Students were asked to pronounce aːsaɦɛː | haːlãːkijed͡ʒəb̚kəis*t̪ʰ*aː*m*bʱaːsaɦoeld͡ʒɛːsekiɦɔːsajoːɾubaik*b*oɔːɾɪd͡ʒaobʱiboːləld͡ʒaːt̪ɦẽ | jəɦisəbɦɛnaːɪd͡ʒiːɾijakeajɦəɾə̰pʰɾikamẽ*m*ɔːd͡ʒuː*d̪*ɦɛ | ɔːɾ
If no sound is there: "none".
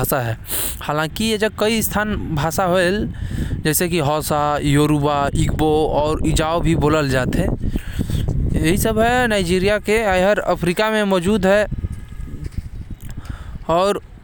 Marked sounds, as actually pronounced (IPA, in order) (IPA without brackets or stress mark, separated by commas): t̪ʰ, n, b, m, d̪